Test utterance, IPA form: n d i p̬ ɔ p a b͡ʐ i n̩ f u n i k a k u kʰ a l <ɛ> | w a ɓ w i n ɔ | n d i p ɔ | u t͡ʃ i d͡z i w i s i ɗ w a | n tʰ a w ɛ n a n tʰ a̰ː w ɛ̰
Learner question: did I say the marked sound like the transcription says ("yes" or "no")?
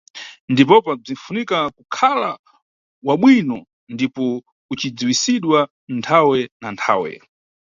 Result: no